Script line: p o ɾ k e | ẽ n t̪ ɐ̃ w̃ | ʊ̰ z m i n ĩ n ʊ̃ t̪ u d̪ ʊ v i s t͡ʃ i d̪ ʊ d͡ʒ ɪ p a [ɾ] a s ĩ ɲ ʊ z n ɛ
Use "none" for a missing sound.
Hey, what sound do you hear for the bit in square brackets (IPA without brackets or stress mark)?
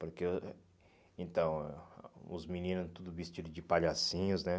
ʎ